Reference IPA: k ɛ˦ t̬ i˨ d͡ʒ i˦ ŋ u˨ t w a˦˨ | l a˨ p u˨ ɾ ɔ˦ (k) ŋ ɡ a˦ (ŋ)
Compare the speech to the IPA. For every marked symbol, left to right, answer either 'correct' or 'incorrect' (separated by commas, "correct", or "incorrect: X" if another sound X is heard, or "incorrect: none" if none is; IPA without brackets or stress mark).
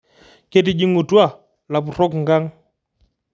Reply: correct, correct